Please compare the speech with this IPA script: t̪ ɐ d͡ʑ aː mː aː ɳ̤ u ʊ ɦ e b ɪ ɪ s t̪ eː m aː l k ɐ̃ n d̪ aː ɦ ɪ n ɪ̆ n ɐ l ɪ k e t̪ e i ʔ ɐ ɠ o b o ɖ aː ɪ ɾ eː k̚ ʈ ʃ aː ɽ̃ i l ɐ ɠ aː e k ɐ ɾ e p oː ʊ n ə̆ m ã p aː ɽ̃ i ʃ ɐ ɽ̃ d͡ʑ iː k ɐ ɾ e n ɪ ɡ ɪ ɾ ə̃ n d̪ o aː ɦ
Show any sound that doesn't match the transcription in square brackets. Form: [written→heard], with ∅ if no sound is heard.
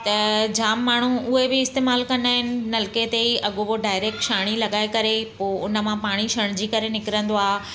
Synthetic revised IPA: t̪ ɐ d͡ʑ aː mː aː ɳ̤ u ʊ ɦ e b ɪ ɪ s t̪ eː m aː l k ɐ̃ n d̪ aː ɦ ɪ n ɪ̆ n ɐ l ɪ k e t̪ e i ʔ ɐ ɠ o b o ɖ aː ɪ ɾ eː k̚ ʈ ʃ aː ɽ̃ i l ɐ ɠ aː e k ɐ ɾ e p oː ʊ n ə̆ m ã p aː ɽ̃ i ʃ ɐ ɽ̃ d͡ʑ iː k ɐ ɾ e n ɪ [ɡ→k] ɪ ɾ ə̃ n d̪ o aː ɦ